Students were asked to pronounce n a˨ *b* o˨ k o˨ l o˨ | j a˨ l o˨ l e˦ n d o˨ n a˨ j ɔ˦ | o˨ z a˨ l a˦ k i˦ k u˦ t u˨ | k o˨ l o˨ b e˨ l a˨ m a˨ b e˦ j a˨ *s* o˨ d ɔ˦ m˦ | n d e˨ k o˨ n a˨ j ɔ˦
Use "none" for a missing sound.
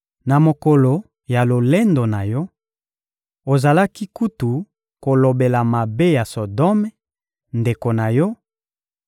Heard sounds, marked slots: m, s

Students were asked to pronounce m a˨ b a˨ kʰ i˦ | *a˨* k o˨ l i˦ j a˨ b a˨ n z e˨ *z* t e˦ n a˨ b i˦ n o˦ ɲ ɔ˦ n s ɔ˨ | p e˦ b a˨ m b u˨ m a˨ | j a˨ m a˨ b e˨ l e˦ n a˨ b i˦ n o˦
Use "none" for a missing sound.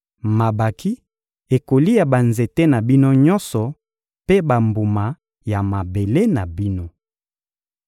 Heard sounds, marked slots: e˨, none

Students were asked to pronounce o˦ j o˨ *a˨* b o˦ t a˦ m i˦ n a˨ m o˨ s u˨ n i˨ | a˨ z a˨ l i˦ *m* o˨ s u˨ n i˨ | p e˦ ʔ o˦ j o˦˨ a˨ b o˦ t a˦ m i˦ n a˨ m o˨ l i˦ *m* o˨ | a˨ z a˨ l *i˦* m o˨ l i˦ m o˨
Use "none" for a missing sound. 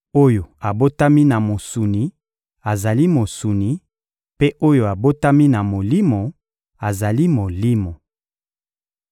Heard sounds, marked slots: a˨, m, m, i˦

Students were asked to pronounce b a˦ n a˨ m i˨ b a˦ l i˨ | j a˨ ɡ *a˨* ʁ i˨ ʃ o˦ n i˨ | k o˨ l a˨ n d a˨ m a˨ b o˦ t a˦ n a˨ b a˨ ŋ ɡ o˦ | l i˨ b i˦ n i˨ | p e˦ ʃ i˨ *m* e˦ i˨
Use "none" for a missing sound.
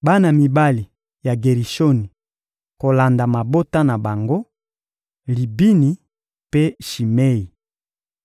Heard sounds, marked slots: e˨, m

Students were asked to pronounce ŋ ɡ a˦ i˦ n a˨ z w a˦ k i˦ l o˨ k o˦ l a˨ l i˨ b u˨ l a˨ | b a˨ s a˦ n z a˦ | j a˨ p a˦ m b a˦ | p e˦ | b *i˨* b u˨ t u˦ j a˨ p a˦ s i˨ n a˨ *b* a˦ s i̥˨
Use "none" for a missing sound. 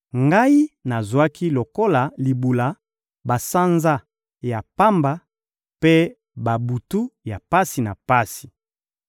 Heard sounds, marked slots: a˨, p

